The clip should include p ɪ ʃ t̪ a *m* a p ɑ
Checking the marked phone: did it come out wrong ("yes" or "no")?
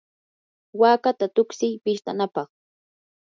yes